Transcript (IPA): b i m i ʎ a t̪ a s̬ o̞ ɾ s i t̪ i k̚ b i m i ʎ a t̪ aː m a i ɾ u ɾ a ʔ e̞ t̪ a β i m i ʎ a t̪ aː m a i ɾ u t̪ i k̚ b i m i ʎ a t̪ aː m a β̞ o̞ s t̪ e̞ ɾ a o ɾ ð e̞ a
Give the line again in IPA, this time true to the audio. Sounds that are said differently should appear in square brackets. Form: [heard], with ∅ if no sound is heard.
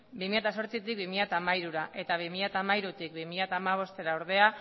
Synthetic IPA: b i m i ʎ a t̪ a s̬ o̞ ɾ [t͡s] i t̪ i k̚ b i m i ʎ a t̪ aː m a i ɾ u ɾ a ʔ e̞ t̪ a β i m i ʎ a t̪ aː m a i ɾ u t̪ i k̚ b i m i ʎ a t̪ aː m a β̞ o̞ s t̪ e̞ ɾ a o ɾ ð e̞ a